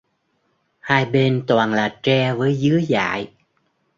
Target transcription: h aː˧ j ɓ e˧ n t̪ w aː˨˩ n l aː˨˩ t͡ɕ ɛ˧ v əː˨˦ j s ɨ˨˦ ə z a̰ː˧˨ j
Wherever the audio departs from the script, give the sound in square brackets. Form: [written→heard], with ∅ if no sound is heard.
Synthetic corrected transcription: h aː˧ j ɓ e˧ n t̪ w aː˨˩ n l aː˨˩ t͡ɕ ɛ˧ v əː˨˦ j [s→z] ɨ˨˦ ə z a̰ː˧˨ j